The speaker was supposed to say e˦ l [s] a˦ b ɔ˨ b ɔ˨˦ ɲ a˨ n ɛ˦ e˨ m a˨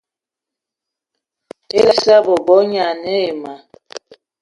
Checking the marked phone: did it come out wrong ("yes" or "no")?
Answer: no